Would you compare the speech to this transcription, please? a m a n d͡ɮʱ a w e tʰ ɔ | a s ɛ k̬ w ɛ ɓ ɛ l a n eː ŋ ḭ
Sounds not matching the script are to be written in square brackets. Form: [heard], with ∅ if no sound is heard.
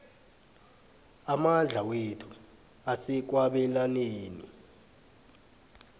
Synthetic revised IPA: a m a n d͡ɮʱ a w e tʰ [u] | a s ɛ k̬ w [a] ɓ ɛ l a n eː [n] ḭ